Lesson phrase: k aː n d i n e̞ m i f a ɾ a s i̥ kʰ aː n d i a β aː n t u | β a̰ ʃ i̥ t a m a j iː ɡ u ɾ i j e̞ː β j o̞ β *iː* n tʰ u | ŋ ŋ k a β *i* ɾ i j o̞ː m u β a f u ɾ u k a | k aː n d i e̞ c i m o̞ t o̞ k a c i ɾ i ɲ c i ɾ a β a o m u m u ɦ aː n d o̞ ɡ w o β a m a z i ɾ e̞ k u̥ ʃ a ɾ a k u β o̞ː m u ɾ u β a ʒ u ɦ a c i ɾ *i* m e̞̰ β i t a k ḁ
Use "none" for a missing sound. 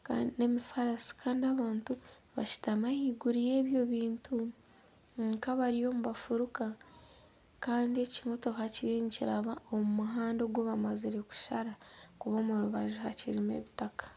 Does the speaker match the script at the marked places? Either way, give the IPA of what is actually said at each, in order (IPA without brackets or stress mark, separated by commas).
iː, a, i